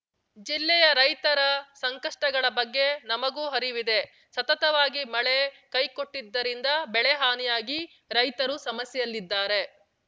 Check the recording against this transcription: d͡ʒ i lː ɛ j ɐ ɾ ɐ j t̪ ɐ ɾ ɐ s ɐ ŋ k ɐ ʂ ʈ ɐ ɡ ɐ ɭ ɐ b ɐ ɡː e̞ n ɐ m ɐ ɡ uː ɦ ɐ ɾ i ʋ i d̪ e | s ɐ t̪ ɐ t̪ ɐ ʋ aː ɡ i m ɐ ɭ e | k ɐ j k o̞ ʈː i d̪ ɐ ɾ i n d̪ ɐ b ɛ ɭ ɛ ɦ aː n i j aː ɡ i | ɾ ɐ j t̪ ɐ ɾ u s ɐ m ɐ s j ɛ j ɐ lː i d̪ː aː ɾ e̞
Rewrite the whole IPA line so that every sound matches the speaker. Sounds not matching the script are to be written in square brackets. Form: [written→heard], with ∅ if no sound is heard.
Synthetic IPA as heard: d͡ʒ i lː ɛ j ɐ ɾ ɐ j t̪ ɐ ɾ ɐ s ɐ ŋ k ɐ ʂ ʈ ɐ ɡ ɐ ɭ ɐ b ɐ ɡː e̞ n ɐ m ɐ ɡ uː ɦ ɐ ɾ i ʋ i d̪ e | s ɐ t̪ ɐ t̪ ɐ ʋ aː ɡ i m ɐ ɭ e | k ɐ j k o̞ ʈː i [d̪→d̪ː] ɐ ɾ i n d̪ ɐ b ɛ ɭ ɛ ɦ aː n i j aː ɡ i | ɾ ɐ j t̪ ɐ ɾ u s ɐ m ɐ s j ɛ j ɐ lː i d̪ː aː ɾ e̞